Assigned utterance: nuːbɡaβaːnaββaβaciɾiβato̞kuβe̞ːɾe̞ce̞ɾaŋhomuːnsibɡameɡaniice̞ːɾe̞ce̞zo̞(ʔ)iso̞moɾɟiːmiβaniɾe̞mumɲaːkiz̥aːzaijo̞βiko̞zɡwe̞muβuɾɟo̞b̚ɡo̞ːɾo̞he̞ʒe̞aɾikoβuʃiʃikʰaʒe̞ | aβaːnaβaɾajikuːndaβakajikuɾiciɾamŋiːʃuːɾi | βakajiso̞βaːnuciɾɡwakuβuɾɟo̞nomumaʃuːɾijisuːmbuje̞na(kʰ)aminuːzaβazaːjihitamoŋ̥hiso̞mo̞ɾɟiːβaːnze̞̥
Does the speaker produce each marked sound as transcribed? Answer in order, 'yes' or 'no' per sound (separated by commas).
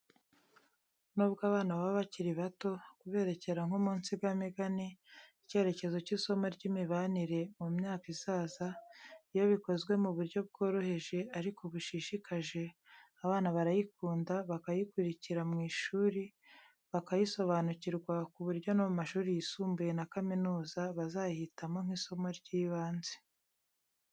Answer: no, no